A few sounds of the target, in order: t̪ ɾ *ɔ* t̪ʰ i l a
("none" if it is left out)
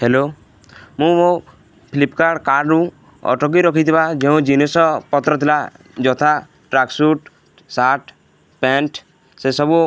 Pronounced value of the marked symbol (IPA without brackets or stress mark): ɔ